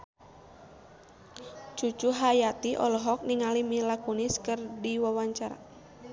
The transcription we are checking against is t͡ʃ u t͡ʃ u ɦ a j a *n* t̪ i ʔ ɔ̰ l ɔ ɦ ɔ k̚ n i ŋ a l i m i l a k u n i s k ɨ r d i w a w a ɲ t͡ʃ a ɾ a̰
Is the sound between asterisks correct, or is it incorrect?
incorrect